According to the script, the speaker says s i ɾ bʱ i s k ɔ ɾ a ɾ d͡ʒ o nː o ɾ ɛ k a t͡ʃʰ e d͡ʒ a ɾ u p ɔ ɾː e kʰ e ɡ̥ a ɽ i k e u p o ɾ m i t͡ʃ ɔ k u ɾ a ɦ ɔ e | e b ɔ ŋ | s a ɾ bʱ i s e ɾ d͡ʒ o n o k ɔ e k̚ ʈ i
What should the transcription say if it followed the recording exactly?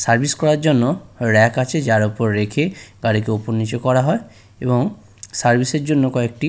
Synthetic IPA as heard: s a ɾ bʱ i s k ɔ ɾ a ɾ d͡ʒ o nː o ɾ ɛ k a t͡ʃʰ e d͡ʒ a ɾ u p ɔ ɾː e kʰ e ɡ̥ a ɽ i k e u p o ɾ n i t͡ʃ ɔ k ɔ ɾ a ɦ ɔ e | e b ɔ ŋ | s a ɾ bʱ i s e ɾ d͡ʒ o nː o k ɔ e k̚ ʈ i